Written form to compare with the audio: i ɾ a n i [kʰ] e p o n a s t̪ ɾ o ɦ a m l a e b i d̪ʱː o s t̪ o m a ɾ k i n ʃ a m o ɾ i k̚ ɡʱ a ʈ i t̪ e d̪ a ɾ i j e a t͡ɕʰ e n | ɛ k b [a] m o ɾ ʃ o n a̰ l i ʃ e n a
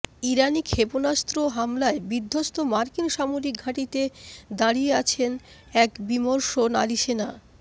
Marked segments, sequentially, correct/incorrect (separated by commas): correct, incorrect